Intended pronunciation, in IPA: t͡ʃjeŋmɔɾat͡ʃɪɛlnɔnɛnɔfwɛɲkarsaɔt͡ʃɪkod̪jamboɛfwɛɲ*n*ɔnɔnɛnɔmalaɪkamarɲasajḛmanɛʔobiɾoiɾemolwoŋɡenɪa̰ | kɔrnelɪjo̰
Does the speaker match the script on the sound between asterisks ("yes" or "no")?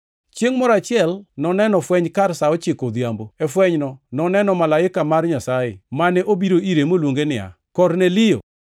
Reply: yes